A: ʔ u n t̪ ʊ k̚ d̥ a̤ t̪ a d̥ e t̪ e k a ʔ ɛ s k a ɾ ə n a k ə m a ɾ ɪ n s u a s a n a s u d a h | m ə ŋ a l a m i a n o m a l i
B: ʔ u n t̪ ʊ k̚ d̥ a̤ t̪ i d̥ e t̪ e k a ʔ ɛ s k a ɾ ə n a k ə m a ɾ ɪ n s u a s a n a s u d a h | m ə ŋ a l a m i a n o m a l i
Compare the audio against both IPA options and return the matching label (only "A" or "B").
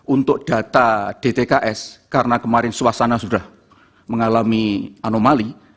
A